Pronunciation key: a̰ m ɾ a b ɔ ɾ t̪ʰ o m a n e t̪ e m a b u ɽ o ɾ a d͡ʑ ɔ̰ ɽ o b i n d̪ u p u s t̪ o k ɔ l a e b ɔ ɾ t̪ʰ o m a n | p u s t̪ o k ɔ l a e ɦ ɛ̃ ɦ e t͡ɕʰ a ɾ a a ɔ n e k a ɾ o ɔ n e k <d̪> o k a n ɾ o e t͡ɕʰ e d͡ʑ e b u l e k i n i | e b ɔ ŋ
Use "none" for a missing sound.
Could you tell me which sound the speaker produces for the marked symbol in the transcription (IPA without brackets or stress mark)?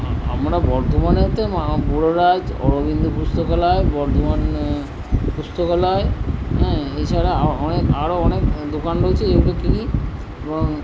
d̪